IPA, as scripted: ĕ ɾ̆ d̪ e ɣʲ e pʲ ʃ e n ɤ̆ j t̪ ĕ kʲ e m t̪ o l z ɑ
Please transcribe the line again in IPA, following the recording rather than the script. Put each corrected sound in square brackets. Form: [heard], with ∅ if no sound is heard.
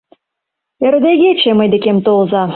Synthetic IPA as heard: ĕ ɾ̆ d̪ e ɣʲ e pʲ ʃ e [m] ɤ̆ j [d̪] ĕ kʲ e m t̪ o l z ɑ